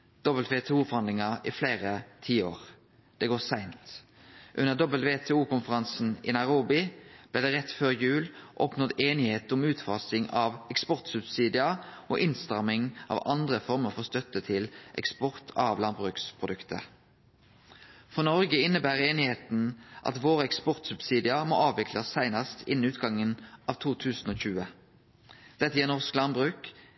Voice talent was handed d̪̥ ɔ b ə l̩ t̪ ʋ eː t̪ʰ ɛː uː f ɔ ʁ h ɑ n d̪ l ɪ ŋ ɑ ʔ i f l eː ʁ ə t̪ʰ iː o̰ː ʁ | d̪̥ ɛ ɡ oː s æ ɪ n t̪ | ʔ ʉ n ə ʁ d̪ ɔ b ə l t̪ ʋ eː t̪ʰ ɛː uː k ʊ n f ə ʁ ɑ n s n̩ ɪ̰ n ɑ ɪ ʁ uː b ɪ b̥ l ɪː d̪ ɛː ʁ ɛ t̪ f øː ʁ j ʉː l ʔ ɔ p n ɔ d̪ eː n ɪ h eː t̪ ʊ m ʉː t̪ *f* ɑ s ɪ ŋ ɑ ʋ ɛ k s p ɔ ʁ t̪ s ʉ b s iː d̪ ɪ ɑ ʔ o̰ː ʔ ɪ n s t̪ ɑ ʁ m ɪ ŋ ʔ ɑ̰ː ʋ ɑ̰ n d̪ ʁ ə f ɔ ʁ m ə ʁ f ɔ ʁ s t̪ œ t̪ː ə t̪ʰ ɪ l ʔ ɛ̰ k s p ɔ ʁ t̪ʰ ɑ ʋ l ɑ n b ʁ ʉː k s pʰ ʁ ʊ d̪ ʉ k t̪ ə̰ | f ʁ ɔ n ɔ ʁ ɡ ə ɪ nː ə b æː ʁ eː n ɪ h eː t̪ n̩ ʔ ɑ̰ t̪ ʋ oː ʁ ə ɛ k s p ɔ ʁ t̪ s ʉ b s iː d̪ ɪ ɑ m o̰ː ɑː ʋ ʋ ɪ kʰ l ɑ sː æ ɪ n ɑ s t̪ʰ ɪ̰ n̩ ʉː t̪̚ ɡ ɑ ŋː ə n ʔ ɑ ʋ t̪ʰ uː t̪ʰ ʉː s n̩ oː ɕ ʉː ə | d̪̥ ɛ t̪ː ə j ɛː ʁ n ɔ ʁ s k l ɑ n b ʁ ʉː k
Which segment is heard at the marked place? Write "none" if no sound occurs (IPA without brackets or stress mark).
f